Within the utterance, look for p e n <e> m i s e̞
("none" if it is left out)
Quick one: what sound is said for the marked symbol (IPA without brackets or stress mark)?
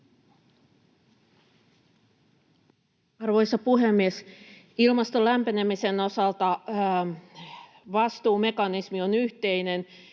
e